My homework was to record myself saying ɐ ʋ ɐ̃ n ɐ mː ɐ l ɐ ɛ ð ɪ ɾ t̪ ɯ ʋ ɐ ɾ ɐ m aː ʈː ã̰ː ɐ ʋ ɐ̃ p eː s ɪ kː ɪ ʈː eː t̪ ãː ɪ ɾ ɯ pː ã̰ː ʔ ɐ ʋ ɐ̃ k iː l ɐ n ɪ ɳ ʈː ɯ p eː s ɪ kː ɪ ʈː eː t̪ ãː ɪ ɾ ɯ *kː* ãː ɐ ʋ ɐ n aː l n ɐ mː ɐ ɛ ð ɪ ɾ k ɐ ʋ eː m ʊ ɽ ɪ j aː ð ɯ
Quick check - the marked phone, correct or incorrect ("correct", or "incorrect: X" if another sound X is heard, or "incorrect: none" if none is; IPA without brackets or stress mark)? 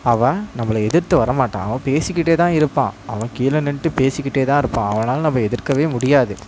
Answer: incorrect: pː